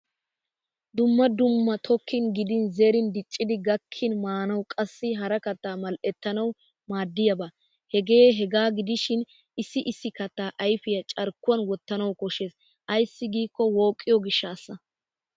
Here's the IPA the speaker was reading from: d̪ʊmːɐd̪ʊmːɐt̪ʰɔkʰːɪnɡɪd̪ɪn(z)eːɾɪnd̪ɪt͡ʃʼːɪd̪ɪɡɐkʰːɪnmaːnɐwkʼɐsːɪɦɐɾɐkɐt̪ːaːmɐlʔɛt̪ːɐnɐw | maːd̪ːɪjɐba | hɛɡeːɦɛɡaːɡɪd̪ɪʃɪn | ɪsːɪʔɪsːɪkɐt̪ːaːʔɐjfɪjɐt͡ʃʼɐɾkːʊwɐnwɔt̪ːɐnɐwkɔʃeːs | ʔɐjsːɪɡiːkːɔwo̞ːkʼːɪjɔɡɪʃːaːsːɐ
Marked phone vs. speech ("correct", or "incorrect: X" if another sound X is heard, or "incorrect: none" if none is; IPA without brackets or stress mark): correct